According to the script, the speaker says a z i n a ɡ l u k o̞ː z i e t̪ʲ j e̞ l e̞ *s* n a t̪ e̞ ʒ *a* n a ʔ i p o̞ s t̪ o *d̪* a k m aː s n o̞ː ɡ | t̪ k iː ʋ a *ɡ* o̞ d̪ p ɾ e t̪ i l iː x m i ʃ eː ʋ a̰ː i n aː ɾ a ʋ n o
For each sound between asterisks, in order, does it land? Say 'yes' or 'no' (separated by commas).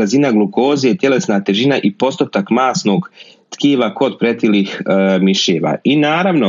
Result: yes, no, no, no